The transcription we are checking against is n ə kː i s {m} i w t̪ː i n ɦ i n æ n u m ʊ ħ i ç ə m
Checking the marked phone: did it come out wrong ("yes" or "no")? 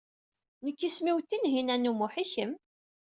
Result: no